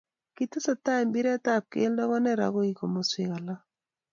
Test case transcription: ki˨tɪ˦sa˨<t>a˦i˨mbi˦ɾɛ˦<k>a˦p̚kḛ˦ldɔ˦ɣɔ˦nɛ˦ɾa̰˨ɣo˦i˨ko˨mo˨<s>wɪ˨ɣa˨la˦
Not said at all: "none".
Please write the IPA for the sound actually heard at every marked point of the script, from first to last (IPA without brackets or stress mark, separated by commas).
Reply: t, t, s